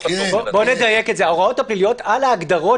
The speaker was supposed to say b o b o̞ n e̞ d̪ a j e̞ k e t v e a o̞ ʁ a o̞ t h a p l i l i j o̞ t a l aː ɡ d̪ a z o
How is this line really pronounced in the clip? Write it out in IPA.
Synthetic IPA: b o b o̞ n e̞ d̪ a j e̞ k e t z e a o̞ ʁ a o̞ t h a p l i l i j o̞ t a l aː ɡ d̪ a ʁ o